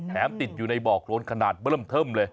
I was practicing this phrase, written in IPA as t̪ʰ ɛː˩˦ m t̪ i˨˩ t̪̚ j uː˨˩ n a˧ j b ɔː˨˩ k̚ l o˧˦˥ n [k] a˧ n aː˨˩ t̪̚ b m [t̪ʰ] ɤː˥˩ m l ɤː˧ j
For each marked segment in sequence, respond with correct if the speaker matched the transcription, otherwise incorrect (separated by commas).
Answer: incorrect, correct